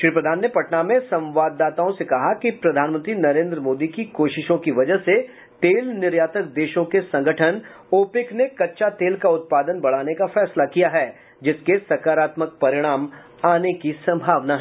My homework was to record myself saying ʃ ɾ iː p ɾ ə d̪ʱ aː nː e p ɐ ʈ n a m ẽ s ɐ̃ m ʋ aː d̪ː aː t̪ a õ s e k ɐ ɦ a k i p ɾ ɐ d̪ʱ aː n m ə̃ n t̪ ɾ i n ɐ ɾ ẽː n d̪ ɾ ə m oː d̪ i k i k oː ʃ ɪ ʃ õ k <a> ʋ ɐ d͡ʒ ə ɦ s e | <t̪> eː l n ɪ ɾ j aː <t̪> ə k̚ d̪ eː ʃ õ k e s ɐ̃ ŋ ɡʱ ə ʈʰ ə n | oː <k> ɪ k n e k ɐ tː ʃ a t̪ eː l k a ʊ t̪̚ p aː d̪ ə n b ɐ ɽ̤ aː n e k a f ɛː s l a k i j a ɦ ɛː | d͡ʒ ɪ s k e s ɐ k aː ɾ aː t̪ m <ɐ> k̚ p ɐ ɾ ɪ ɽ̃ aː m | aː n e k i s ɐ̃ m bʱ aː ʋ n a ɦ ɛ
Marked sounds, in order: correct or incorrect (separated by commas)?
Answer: incorrect, correct, correct, incorrect, incorrect